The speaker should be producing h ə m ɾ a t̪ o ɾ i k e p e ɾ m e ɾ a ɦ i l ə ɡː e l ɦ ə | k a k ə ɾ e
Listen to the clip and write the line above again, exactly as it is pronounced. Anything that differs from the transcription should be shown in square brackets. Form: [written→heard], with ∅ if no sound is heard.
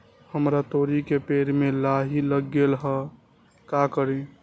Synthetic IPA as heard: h ə m ɾ a t̪ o ɾ i k e p e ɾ m e [ɾ→l] a ɦ i l ə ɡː e l ɦ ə | k a k ə ɾ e